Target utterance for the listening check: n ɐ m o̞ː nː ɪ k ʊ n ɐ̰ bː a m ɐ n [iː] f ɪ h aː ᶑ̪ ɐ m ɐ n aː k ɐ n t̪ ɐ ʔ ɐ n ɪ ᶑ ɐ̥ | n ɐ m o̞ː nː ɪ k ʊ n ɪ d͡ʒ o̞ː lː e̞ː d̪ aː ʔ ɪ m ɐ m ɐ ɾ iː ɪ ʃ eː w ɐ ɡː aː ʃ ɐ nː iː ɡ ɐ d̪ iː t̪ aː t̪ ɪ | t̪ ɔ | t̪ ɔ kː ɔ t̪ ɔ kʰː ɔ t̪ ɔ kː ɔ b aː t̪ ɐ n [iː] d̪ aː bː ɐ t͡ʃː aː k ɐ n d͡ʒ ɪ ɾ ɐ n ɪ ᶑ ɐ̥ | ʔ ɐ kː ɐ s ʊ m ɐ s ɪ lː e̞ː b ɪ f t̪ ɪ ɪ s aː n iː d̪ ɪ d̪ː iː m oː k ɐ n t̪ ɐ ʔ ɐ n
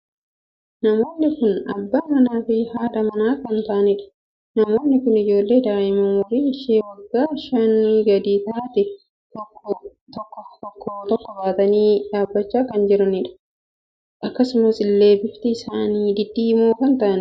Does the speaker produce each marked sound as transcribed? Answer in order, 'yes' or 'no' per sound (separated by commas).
no, yes